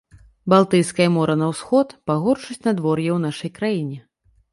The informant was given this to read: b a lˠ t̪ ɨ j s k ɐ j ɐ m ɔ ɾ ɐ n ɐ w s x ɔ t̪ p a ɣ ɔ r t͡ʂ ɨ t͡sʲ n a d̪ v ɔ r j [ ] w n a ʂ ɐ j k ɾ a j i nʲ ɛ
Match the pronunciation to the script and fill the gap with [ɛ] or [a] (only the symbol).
ɛ